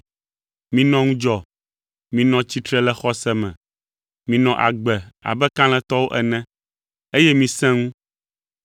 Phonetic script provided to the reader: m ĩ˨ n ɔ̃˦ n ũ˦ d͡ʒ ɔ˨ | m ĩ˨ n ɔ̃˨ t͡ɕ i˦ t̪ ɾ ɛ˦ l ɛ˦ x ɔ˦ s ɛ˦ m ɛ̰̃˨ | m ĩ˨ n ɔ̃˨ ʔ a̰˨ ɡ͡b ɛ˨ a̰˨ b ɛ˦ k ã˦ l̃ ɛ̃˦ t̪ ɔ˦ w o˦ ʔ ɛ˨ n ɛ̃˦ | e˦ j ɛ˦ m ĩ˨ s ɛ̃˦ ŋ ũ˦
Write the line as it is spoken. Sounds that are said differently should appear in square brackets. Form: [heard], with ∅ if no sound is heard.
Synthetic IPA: m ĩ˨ n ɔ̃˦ [ŋ] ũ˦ d͡ʒ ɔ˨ | m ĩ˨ n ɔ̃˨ t͡ɕ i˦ t̪ ɾ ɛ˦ l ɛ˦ x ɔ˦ s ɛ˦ m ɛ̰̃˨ | m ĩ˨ n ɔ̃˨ ʔ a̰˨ ɡ͡b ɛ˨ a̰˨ b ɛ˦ k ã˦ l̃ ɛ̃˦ t̪ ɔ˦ w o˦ ʔ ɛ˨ n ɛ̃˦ | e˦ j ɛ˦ m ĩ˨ s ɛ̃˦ ŋ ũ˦